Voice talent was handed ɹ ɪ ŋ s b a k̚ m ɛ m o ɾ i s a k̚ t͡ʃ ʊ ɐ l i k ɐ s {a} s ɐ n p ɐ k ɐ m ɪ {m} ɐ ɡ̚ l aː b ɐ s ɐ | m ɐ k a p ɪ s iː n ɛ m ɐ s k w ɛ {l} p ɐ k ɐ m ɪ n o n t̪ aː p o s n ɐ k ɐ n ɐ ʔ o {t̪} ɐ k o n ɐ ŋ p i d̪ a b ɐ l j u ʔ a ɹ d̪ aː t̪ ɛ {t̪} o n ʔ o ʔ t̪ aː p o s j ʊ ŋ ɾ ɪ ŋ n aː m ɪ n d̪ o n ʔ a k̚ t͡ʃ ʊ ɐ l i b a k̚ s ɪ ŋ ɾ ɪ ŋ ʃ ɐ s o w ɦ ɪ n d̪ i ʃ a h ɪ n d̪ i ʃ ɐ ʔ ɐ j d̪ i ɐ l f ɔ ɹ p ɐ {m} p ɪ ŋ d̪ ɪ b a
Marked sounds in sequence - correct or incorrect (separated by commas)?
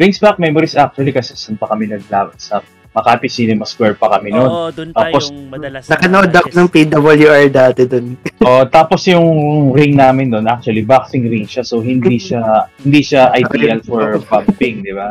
incorrect, incorrect, incorrect, incorrect, incorrect, correct